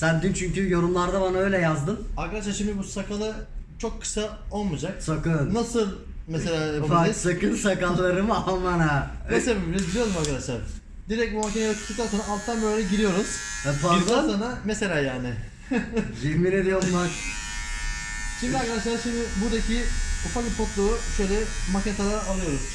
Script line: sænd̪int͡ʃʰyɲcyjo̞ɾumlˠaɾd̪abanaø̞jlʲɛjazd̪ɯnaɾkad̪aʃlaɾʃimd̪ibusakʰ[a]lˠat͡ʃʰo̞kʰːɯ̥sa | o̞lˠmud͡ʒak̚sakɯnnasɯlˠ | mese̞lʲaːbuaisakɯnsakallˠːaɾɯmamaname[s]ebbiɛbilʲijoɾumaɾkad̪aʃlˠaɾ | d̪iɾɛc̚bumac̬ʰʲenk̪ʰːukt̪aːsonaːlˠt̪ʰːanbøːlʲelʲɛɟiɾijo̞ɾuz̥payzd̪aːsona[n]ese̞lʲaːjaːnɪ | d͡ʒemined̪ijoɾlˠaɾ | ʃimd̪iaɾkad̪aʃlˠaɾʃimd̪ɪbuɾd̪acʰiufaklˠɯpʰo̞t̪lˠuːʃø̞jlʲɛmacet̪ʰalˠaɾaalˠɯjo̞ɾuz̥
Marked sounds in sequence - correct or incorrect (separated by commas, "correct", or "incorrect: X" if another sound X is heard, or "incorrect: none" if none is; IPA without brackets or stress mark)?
correct, correct, incorrect: m